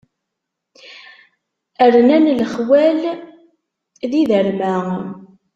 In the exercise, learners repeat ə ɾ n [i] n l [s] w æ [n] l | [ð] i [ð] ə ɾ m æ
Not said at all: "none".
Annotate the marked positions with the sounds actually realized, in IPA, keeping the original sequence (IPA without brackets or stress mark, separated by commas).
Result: æ, χ, none, ð, ð